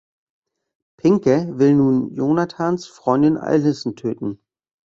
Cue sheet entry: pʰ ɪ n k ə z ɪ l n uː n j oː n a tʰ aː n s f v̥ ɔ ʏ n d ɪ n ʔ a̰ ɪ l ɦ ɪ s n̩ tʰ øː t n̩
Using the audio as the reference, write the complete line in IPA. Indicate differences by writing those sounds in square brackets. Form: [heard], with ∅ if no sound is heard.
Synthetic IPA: pʰ ɪ [ŋ] k ə [v] ɪ l n uː n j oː n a tʰ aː n s f [ʁ̥] ɔ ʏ n d ɪ n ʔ a̰ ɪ l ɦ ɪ s n̩ tʰ øː t n̩